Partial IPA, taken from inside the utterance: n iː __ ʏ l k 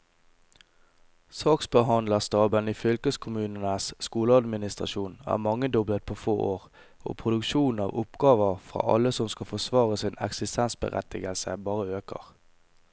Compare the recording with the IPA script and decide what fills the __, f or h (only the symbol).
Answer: f